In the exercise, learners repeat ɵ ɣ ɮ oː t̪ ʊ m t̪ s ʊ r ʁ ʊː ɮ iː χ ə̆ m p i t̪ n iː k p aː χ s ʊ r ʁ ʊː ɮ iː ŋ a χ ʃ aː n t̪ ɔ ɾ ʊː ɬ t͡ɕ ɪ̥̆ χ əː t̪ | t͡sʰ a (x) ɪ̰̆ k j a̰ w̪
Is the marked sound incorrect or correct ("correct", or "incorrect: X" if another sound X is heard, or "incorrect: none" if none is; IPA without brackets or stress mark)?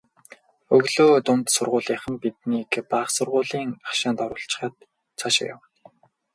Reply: incorrect: ʃ